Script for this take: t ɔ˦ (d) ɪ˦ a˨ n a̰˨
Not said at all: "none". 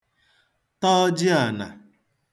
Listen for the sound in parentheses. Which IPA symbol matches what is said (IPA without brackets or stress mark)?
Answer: d͡ʒ